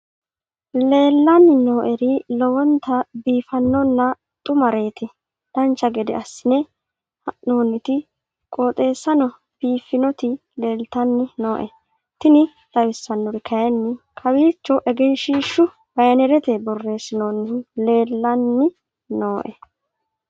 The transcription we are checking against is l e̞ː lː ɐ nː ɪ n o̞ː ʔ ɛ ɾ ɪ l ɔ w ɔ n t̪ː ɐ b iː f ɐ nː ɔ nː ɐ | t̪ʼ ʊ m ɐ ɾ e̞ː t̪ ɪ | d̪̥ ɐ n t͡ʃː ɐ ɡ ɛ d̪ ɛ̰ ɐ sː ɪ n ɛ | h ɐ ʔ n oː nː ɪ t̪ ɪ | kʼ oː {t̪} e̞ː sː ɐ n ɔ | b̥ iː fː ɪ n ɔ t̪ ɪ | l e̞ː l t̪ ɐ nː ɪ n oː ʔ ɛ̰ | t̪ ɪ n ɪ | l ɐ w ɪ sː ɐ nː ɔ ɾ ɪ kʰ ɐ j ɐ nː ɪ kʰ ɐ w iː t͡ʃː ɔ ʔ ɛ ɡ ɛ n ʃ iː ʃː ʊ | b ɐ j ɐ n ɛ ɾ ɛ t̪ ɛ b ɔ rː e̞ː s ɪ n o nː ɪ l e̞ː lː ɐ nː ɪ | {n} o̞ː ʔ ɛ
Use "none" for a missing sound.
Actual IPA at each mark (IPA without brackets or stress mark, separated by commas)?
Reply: t̪ʼ, n